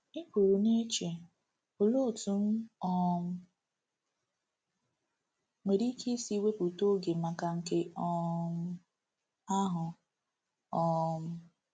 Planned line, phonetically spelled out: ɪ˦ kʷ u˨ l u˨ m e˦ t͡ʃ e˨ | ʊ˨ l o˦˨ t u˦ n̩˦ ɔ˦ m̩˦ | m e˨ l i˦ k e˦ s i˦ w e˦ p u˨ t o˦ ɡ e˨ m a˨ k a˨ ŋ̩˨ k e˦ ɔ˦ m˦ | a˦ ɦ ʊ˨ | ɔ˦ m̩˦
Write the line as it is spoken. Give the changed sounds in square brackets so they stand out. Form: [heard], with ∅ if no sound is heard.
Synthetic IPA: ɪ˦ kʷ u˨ [ɾ] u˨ [n] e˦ t͡ʃ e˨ | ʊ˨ l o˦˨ t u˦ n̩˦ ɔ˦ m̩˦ | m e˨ [ɾ] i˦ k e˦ s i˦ w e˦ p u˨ t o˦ ɡ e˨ m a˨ k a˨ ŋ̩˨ k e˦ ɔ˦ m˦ | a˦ ɦ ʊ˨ | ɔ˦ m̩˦